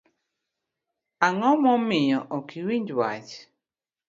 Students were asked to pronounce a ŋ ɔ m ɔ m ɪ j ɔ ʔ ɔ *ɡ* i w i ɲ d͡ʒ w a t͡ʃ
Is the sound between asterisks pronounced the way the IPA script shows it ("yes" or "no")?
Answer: no